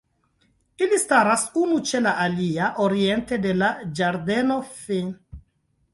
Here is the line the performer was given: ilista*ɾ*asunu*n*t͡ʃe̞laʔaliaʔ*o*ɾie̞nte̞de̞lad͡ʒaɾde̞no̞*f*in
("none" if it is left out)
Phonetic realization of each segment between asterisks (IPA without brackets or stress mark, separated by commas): ɾ, none, o, f